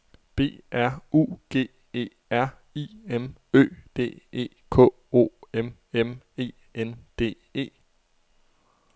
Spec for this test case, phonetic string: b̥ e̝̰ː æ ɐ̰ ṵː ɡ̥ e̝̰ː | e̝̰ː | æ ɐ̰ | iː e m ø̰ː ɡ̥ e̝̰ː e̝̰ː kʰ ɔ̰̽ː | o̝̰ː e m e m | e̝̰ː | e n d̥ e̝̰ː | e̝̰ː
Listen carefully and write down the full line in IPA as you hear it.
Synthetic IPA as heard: b̥ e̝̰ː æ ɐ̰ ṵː ɡ̥ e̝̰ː | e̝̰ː | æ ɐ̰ | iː e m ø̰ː d̥ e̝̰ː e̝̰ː kʰ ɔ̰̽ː | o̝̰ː e m e m | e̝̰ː | e n d̥ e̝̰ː | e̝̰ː